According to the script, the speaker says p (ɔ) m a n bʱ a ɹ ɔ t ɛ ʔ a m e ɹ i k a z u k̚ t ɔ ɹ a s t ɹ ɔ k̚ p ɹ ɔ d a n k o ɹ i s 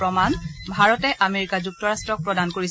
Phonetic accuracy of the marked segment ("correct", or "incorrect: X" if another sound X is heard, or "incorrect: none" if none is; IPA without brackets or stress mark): correct